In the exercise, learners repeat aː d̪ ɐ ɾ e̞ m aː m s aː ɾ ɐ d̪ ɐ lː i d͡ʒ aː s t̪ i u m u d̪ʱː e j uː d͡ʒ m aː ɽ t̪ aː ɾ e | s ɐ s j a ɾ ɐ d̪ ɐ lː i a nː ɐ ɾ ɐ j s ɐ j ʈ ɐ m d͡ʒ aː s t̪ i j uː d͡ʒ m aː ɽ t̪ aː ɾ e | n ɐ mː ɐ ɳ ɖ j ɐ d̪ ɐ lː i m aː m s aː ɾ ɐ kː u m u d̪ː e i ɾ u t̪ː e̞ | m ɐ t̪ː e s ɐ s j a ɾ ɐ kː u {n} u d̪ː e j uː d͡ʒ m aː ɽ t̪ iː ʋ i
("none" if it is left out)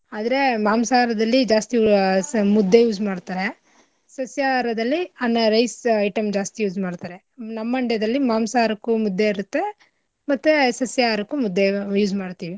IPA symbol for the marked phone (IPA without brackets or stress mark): m